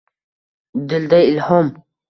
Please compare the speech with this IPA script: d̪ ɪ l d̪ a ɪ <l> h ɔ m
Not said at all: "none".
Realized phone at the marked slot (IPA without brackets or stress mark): l